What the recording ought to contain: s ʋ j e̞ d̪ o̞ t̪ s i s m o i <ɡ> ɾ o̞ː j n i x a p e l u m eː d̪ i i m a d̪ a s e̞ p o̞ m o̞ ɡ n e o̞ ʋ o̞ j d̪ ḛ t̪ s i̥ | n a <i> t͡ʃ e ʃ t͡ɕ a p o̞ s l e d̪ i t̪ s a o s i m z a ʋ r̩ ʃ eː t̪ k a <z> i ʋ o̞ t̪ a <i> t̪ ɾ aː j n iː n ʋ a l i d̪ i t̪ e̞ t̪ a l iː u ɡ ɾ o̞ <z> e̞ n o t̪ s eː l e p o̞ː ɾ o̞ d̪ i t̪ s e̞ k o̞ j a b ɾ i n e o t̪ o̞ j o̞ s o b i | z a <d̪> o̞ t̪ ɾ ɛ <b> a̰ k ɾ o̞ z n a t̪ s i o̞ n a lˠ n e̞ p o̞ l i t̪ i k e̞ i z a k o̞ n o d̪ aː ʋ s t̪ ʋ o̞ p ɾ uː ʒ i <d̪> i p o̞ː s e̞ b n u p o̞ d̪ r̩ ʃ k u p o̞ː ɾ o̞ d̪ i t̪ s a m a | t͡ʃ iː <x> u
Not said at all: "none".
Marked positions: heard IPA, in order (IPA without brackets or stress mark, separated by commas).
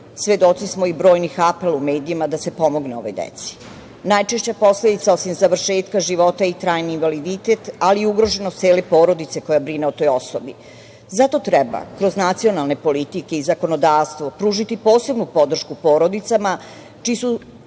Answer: b, j, ʒ, i, ʒ, t̪, b, t̪, s